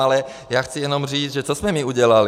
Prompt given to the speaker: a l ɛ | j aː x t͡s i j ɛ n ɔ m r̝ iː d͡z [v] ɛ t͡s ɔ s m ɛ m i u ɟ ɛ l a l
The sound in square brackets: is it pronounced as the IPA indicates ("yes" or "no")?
no